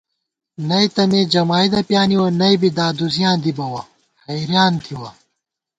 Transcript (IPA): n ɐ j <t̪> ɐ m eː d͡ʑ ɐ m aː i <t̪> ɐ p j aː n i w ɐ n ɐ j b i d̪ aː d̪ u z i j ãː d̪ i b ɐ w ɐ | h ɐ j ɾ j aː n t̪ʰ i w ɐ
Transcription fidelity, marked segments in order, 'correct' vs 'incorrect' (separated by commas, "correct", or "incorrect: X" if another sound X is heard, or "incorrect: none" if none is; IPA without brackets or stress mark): correct, incorrect: d̪